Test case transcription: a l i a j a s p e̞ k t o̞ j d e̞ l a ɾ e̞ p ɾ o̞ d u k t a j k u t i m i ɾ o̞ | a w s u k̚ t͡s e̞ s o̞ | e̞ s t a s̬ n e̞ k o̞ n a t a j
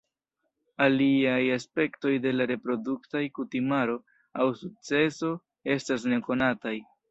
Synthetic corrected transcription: a l i a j a s p e̞ k t o̞ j d e̞ l a ɾ e̞ p ɾ o̞ d u k t a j k u t i m a ɾ o̞ | a w s u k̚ t͡s e̞ s o̞ | e̞ s t a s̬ n e̞ k o̞ n a t a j

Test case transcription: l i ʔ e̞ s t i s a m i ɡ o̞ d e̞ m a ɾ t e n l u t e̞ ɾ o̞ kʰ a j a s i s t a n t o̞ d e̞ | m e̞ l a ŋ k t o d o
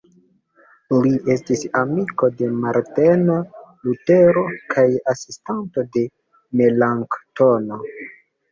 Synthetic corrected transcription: l i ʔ e̞ s t i s a m i k o̞ d e̞ m a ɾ t e n l u t e̞ ɾ o̞ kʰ a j a s i s t a n t o̞ d e̞ | m e̞ l a ŋ k t o n o

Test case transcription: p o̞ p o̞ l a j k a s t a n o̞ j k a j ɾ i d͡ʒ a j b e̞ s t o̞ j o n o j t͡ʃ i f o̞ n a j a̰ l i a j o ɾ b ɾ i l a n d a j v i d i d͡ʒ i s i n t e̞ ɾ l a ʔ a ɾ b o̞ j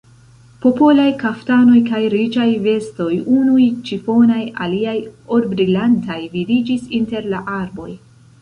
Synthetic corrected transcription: p o̞ p o̞ l a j k a f t a n o̞ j k a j ɾ i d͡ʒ a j v e̞ s t o̞ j u n u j t͡ʃ i f o̞ n a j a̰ l i a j o ɾ b ɾ i l a n t a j v i d i d͡ʒ i s i n t e̞ ɾ l a ʔ a ɾ b o̞ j

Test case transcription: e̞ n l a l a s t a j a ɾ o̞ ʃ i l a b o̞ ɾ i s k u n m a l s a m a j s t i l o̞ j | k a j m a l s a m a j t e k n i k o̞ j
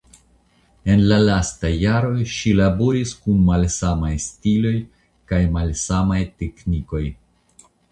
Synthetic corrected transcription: e̞ n l a l a s t a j a ɾ o̞ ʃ i l a b o̞ ɾ i s k u n m a l s a m a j s t i l o̞ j | k a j m a l s a m a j t e k n i k o̞ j

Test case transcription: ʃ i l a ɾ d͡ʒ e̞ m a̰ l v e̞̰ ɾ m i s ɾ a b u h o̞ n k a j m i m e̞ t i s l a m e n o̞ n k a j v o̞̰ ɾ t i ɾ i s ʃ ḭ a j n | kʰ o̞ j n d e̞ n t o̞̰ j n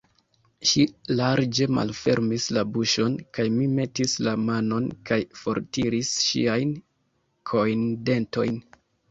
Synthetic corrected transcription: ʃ i l a ɾ d͡ʒ e̞ m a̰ l f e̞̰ ɾ m i s l a b u ʃ o̞ n k a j m i m e̞ t i s l a m a n o̞ n k a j f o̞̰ ɾ t i ɾ i s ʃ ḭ a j n | kʰ o̞ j n d e̞ n t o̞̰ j n

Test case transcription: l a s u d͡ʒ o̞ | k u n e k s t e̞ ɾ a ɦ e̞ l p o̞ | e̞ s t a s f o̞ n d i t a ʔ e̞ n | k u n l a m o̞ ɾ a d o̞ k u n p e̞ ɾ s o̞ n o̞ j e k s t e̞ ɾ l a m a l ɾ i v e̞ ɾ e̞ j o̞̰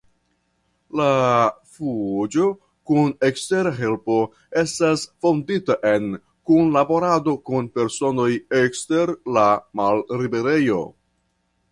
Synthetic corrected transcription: l a f u d͡ʒ o̞ | k u n e k s t e̞ ɾ a ɦ e̞ l p o̞ | e̞ s t a s f o̞ n d i t a ʔ e̞ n | k u n l a b o̞ ɾ a d o̞ k u n p e̞ ɾ s o̞ n o̞ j e k s t e̞ ɾ l a m a l ɾ i b e̞ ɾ e̞ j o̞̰

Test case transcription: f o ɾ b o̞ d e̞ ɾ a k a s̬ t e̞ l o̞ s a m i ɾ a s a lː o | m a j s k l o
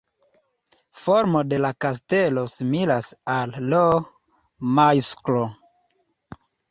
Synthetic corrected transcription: f o ɾ m o̞ d e̞ l a k a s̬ t e̞ l o̞ s i m i l a s a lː o | m a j s k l o

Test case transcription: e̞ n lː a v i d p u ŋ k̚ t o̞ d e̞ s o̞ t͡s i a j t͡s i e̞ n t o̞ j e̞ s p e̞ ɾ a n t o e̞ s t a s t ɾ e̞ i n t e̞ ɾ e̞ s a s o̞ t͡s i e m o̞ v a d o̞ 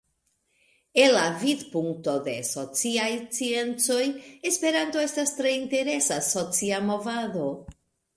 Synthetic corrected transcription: e̞ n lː a v i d p u ŋ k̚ t o̞ d e̞ s o̞ t͡s i a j t͡s i e̞ n t͡s o̞ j e̞ s p e̞ ɾ a n t o e̞ s t a s t ɾ e̞ i n t e̞ ɾ e̞ s a s o̞ t͡s i a m o̞ v a d o̞

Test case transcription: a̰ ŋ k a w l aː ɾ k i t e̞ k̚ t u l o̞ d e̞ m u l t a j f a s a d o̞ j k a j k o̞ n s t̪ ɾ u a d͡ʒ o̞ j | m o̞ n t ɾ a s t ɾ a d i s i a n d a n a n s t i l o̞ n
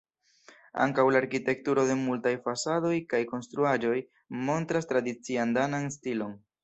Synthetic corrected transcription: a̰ ŋ k a w l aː ɾ k i t e̞ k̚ t u ɾ o̞ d e̞ m u l t a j f a s a d o̞ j k a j k o̞ n s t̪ ɾ u a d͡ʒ o̞ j | m o̞ n t ɾ a s t ɾ a d i t͡s i a n d a n a n s t i l o̞ n

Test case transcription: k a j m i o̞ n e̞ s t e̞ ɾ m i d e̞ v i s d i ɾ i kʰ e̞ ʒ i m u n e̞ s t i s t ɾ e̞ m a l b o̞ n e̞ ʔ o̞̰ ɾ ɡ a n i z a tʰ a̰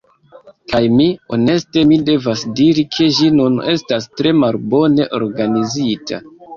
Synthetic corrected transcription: k a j m i o̞ n e̞ s t e̞ m i d e̞ v a s d i ɾ i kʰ e̞ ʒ i n u n e̞ s t a s t ɾ e̞ m a l b o̞ n e̞ ʔ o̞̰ ɾ ɡ a n i z i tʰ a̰

